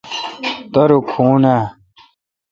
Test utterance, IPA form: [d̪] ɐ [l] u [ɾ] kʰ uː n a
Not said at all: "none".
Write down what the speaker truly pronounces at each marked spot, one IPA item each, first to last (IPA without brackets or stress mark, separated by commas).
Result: t̪, ɾ, none